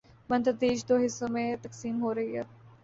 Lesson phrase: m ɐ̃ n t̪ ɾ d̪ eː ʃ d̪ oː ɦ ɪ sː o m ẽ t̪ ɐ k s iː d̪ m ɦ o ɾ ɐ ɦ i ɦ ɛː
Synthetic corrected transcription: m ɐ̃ n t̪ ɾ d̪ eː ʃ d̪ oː ɦ ɪ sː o m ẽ t̪ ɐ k s iː m ɦ o ɾ ɐ ɦ i ɦ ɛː